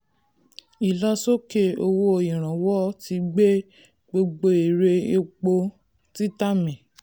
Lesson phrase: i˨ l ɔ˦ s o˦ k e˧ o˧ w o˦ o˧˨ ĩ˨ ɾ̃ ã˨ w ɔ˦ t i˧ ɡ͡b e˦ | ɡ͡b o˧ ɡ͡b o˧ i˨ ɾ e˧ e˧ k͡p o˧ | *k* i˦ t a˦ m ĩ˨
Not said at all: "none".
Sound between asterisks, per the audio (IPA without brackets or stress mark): t